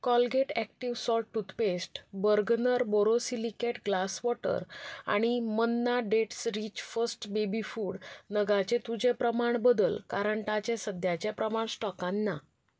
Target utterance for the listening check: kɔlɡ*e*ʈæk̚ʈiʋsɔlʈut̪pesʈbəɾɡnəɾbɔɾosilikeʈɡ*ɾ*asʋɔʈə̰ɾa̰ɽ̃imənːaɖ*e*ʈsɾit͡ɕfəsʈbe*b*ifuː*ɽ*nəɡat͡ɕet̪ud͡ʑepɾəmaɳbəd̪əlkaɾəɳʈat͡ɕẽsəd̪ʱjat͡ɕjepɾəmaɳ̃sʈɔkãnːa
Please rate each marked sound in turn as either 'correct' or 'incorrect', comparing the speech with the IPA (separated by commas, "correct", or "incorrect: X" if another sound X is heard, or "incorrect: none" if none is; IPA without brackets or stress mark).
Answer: correct, incorrect: l, correct, correct, correct